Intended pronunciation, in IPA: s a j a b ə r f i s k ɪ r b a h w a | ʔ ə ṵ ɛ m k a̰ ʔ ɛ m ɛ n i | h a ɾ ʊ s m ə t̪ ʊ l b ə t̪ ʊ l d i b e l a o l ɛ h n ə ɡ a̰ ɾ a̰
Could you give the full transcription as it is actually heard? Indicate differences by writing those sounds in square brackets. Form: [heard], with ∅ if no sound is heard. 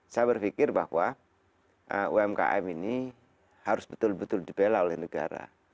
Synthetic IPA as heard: s a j a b ə r f i [∅] k ɪ r b a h w a | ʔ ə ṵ ɛ m k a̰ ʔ ɛ m [i] n i | h a ɾ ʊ s [b] ə t̪ ʊ l b ə t̪ ʊ l d i b e l a o l ɛ h n ə ɡ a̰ ɾ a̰